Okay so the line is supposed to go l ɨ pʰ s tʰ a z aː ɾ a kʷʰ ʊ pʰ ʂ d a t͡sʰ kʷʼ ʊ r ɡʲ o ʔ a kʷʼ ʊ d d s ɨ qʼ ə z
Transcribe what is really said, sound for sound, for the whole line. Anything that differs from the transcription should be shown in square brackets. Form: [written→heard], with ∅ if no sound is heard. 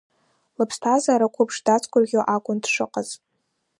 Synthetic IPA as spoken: l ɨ pʰ s tʰ a z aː ɾ a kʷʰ ʊ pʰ ʂ d a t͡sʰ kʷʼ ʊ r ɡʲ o ʔ a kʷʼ ʊ [d→n] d [s→ʂ] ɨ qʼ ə z